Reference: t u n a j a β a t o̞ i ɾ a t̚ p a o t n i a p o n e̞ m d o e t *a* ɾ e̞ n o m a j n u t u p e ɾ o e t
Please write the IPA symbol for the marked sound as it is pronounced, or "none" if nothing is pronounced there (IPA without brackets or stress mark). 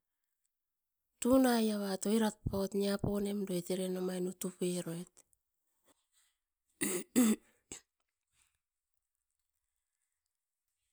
e